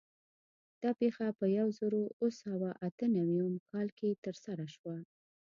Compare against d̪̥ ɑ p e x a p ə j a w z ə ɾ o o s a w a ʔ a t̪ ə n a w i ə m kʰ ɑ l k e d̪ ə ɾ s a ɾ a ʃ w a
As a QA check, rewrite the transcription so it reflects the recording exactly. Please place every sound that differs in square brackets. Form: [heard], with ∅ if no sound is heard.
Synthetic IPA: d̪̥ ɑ p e x a p ə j a w z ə ɾ o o s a w a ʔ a t̪ ə n a w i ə m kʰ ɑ l k e [t̪] ə ɾ s a ɾ a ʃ w a